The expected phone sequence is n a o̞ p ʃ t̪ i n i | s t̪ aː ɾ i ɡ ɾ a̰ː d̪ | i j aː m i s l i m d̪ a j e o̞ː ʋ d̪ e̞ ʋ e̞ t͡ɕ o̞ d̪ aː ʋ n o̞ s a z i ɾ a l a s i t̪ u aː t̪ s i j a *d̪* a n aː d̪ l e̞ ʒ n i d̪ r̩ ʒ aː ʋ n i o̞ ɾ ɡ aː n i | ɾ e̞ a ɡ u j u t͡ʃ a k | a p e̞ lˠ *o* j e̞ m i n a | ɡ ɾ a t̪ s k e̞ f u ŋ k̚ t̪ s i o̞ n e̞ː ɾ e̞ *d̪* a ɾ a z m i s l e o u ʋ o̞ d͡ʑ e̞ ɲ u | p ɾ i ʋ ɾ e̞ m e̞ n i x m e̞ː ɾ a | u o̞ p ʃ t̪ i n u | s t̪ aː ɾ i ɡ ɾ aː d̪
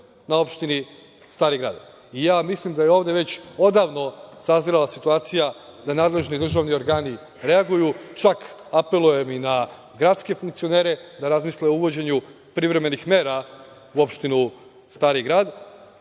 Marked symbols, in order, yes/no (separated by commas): yes, no, yes